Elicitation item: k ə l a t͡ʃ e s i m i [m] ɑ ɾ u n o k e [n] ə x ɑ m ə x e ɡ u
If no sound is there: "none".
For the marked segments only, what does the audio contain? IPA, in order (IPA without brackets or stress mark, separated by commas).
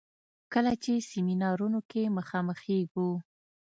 n, m